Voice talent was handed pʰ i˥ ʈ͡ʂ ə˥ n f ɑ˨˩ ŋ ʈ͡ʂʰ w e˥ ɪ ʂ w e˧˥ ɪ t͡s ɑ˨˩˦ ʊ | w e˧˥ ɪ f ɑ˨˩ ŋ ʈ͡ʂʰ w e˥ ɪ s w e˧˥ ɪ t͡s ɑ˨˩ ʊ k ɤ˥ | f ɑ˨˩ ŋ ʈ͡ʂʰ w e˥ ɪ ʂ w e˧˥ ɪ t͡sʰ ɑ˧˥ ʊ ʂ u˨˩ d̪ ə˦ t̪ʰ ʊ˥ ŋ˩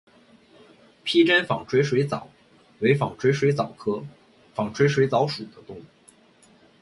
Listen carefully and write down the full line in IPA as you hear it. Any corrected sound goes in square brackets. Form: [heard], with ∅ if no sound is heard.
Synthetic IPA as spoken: pʰ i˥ ʈ͡ʂ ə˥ n f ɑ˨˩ ŋ ʈ͡ʂʰ w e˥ ɪ ʂ w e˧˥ ɪ t͡s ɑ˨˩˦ ʊ | w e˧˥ ɪ f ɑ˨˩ ŋ ʈ͡ʂʰ w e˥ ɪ [ʂ] w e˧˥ ɪ t͡s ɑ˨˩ ʊ [kʰ] ɤ˥ | f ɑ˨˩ ŋ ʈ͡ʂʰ w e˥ ɪ ʂ w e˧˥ ɪ [t͡s] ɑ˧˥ ʊ ʂ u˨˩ d̪ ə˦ [t̪] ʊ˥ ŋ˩